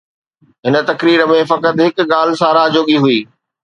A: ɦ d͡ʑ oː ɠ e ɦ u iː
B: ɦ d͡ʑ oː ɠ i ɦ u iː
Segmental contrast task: B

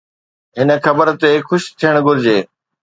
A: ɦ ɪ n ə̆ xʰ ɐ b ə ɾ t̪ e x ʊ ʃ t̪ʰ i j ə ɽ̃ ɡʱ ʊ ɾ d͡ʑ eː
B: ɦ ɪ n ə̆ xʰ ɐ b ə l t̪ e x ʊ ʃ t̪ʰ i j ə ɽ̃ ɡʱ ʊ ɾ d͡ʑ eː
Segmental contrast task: A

